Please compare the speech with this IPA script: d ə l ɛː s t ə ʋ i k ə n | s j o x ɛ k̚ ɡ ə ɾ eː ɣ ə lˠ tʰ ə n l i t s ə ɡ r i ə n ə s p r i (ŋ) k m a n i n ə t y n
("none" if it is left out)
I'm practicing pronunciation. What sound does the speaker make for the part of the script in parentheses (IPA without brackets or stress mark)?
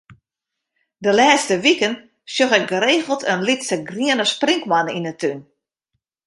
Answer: ŋ